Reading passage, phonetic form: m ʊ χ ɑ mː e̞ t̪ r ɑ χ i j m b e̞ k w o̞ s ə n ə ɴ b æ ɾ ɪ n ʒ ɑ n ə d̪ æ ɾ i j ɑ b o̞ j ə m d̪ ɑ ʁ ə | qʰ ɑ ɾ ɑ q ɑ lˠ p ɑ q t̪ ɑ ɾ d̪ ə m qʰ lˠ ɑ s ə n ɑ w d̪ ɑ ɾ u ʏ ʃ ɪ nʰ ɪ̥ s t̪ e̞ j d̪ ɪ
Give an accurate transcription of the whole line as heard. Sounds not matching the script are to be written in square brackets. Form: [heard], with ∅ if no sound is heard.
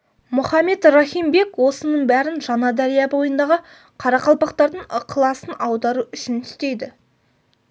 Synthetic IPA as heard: m ʊ χ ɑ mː e̞ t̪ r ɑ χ i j m b e̞ k w o̞ s ə n ə ɴ b æ ɾ ɪ n ʒ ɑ n [ɑ] d̪ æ ɾ i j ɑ b o̞ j ə [n] d̪ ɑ ʁ ə | qʰ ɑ ɾ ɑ q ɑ lˠ p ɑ q t̪ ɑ ɾ d̪ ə [ɴ] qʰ lˠ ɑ s ə n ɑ w d̪ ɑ ɾ u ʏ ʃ ɪ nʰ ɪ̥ s t̪ e̞ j d̪ ɪ

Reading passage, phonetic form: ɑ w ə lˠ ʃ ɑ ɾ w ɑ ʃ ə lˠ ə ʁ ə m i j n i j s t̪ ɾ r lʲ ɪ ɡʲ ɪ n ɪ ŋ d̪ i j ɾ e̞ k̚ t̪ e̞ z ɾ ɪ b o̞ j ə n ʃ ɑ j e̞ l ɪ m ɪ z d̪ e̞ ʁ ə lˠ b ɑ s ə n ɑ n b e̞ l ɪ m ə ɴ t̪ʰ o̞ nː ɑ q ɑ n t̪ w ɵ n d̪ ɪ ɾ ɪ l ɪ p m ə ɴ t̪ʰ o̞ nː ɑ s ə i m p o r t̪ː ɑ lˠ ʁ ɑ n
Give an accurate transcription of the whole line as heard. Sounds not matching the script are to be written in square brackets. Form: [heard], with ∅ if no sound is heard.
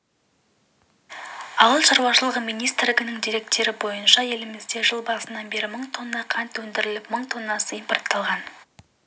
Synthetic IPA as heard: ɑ w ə lˠ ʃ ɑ ɾ w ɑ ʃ ə lˠ ə ʁ ə m i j n i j s t̪ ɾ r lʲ ɪ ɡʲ ɪ n ɪ ŋ d̪ i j ɾ e̞ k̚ t̪ e̞ [∅] ɾ ɪ b o̞ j ə n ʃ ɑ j e̞ l ɪ m ɪ z d̪ e̞ [ʒ] ə lˠ b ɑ s ə n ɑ n b e̞ [ɾ] ɪ m ə ɴ t̪ʰ o̞ nː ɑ [qʰ] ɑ n t̪ w ɵ n d̪ ɪ ɾ ɪ l ɪ p m ə ɴ t̪ʰ o̞ nː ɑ s ə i m p o r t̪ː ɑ lˠ ʁ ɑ n

